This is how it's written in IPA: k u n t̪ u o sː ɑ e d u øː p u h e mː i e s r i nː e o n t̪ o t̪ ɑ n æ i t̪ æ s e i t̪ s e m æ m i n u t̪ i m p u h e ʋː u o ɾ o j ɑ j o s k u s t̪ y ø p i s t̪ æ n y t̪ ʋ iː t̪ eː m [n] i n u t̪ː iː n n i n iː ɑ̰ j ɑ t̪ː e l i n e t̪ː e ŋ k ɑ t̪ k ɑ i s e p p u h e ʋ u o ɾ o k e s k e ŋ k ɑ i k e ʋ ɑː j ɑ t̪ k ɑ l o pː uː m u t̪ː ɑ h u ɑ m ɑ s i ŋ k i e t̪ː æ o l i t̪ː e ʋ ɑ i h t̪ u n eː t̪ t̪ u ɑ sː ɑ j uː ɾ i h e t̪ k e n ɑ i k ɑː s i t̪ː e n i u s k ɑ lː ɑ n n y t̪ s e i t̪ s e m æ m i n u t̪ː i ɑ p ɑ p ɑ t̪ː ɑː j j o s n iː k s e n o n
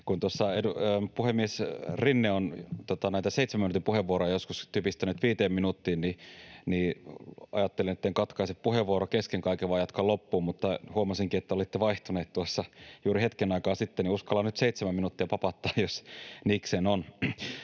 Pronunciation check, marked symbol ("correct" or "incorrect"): incorrect